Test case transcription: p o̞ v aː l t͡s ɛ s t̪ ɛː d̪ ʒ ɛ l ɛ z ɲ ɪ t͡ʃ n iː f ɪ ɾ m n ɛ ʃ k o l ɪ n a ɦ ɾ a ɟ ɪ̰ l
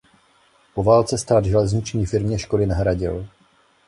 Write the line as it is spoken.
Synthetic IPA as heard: p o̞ v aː l t͡s ɛ s t̪ aː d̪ ʒ ɛ l ɛ z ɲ ɪ t͡ʃ ɲ iː f ɪ ɾ m ɲ ɛ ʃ k o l ɪ n a ɦ ɾ a ɟ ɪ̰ l